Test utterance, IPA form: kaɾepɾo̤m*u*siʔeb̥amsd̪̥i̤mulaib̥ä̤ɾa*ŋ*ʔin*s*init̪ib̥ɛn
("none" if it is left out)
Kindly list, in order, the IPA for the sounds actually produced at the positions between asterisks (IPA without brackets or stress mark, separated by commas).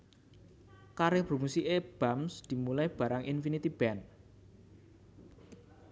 u, ŋ, f